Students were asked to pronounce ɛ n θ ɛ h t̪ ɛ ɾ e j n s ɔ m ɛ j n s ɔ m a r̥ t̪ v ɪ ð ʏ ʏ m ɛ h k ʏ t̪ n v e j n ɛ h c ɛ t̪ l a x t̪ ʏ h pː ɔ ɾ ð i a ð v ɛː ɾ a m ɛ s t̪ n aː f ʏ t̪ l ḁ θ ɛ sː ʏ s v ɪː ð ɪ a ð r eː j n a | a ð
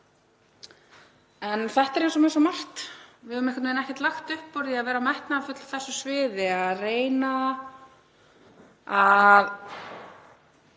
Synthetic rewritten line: ɛ n θ ɛ h t̪ ɛ ɾ e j n s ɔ m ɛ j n s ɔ m a r̥ t̪ v ɪ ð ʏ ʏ m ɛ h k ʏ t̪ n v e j n ɛ h c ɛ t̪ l a x t̪ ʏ h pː ɔ ɾ ð i a ð v ɛː ɾ a m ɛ h t̪ n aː f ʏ t̪ l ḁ θ ɛ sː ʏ s v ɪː ð ɪ a ð r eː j n a | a ð